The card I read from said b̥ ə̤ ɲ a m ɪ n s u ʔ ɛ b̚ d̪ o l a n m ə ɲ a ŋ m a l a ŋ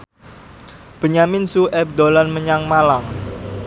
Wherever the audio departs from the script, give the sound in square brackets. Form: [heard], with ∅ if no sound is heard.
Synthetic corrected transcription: b̥ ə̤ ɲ a m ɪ n s u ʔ ɛ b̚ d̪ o l a n m ə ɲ a ŋ m a l a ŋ

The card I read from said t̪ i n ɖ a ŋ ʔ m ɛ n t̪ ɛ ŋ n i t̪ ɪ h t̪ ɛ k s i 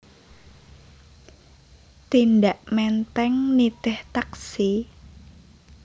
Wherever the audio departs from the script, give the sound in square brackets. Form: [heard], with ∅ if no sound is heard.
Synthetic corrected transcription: t̪ i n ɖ a [∅] ʔ m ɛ n t̪ ɛ ŋ n i t̪ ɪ h t̪ [a] k s i

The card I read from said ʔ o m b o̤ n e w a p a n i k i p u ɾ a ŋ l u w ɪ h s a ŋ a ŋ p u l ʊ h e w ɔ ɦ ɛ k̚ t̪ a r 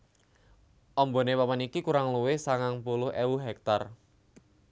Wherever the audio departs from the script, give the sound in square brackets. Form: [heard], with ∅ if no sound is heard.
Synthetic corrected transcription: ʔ [ɔ] m b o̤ n e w a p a n i k i [k] u ɾ a ŋ l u w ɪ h s a ŋ a ŋ p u l ʊ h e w [u] ɦ ɛ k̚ t̪ a r

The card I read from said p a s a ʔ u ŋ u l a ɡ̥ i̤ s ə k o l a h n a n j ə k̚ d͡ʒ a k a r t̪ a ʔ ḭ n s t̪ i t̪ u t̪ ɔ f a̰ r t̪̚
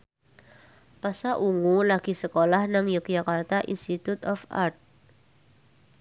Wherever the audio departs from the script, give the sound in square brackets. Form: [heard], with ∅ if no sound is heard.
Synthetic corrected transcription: p a s a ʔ u ŋ u l a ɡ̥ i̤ s ə k o l a h n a [ŋ] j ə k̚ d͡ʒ a k a r t̪ a ʔ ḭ n s t̪ i t̪ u t̪ ɔ f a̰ r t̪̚

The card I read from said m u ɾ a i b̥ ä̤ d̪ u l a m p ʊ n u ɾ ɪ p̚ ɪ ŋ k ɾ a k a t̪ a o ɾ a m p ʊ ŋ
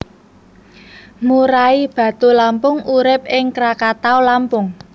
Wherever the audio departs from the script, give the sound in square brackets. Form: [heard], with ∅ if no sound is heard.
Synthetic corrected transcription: m u ɾ a i b̥ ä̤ [t̪] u l a m p ʊ [ŋ] u ɾ ɪ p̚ ɪ ŋ k ɾ a k a t̪ a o [l] a m p ʊ ŋ

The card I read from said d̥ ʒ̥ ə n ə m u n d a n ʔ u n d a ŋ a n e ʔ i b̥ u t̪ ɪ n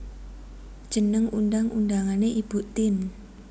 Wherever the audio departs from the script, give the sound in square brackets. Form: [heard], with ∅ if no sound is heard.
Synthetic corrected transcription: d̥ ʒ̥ ə n ə [ŋ] u n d a [ŋ] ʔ u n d a ŋ a n e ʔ i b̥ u t̪ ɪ n

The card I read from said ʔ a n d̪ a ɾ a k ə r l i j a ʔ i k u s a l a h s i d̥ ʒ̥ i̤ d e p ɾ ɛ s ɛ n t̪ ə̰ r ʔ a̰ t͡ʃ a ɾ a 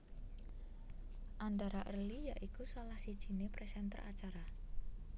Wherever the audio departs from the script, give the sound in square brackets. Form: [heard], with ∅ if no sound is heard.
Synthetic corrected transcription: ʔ a n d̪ a ɾ a [ʔ] ə r l i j a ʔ i k u s a l a h s i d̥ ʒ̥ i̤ [n] e p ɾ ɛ s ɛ n t̪ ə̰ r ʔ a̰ t͡ʃ a ɾ a

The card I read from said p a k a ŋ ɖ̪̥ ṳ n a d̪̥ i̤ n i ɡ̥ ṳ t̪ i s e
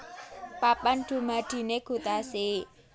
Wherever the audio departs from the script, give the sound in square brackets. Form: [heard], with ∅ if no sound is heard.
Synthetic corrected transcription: p a [p] a [n] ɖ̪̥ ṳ [m] a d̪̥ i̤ n [e] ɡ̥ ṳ t̪ [a] s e

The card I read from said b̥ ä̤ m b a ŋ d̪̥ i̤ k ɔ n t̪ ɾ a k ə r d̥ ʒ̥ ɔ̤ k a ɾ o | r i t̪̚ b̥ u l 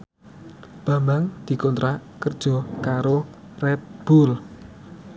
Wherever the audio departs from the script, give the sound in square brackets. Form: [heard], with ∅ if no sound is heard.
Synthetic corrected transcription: b̥ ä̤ m b a ŋ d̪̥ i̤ k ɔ n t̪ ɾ a k ə r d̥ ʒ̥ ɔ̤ k a ɾ o | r [ɛ] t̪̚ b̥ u l

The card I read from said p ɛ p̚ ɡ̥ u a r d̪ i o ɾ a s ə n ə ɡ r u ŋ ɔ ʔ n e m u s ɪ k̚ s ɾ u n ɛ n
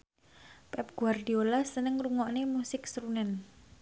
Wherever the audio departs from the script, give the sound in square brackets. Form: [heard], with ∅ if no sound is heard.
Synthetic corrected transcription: p ɛ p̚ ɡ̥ u a r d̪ i o [l] a s ə n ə [ŋ] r u ŋ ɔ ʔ n e m u s ɪ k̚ s ɾ u n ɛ n

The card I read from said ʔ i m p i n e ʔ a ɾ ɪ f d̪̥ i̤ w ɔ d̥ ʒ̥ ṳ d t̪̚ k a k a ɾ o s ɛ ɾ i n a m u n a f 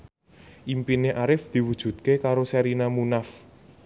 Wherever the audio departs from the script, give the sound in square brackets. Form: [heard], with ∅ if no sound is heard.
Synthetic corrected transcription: ʔ i m p i n e ʔ a ɾ ɪ f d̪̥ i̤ w [u] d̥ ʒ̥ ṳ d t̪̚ k [e] k a ɾ o s ɛ ɾ i n a m u n a f

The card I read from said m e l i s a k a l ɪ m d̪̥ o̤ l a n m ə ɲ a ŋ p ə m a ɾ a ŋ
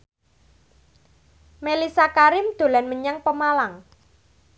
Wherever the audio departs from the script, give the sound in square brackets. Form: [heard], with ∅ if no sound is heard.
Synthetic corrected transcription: m e l i s a k a [ɾ] ɪ m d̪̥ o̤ l a n m ə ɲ a ŋ p ə m a [l] a ŋ

